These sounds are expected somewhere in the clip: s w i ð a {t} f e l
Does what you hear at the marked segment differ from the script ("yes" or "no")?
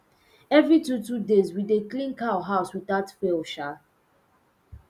no